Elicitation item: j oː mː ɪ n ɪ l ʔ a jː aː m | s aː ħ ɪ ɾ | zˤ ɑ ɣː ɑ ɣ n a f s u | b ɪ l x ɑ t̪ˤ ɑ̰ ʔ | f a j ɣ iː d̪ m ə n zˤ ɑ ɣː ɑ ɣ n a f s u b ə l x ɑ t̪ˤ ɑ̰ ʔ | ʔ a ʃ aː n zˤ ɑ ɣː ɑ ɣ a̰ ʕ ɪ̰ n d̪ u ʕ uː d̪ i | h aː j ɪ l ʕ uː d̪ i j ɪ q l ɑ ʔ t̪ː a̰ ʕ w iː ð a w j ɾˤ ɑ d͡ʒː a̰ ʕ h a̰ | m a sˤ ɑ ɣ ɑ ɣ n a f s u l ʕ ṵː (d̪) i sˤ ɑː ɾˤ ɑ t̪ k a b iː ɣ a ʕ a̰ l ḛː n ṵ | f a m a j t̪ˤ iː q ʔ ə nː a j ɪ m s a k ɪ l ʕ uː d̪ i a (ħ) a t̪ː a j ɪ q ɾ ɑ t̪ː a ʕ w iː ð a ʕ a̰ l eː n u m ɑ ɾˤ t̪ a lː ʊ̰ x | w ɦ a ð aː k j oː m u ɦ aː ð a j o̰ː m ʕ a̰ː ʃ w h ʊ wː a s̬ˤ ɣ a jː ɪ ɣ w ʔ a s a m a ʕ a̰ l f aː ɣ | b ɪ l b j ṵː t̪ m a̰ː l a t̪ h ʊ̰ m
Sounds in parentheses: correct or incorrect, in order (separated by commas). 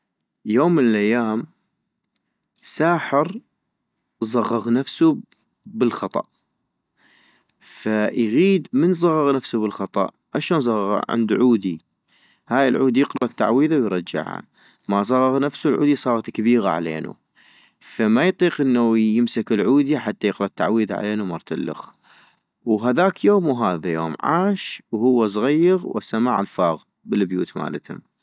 correct, correct